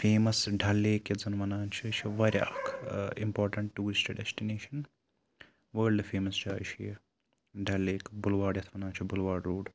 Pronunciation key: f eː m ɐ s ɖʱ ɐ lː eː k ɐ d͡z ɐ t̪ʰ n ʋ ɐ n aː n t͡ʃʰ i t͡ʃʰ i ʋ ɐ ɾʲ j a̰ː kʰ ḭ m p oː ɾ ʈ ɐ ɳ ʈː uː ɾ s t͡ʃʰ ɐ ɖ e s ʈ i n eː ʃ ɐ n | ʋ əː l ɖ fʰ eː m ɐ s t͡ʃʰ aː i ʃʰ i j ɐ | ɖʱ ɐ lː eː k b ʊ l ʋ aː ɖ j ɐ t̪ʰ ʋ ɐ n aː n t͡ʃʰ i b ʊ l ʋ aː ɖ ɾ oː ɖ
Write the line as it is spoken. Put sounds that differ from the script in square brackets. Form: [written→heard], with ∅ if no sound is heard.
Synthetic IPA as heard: f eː m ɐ s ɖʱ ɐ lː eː k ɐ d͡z ɐ [t̪ʰ→∅] n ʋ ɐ n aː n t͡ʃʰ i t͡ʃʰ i ʋ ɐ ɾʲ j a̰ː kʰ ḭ m p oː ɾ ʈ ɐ ɳ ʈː uː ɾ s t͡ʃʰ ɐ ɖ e s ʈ i n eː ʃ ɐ n | ʋ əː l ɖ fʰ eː m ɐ s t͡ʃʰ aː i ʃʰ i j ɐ | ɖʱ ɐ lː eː k b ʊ l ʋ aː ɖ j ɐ t̪ʰ ʋ ɐ n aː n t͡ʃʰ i b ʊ l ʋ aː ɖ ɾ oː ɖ